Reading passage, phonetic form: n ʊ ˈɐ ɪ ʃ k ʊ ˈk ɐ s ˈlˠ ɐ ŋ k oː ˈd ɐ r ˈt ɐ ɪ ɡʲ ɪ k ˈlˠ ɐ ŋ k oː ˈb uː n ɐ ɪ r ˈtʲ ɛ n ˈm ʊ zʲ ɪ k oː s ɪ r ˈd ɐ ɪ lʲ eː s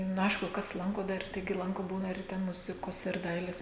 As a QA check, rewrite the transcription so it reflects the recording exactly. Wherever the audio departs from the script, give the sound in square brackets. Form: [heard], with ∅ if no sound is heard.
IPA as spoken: n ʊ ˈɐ ɪ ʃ k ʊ ˈk ɐ s ˈlˠ ɐ ŋ k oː ˈd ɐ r ˈt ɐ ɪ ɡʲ ɪ [∅] ˈlˠ ɐ ŋ k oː ˈb uː n ɐ ɪ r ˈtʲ ɛ n ˈm ʊ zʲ ɪ k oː s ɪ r ˈd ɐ ɪ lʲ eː s